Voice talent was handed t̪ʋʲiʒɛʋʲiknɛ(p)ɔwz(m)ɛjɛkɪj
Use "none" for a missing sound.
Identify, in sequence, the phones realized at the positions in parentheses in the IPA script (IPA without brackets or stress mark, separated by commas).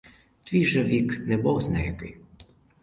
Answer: b, n